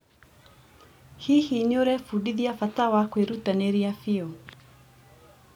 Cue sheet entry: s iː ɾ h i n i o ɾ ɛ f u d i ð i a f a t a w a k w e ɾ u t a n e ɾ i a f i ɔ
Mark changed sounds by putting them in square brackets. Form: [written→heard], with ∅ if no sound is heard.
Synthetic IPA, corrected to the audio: [s→h] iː [ɾ→∅] h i n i o ɾ ɛ f u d i ð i a f a t a w a k w e ɾ u t a n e ɾ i a f i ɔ